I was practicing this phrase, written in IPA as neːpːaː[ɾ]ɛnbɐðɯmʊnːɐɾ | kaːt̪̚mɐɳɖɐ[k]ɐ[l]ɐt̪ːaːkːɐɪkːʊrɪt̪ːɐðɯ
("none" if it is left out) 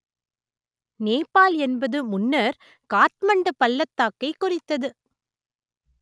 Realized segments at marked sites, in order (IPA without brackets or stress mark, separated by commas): l, p, lː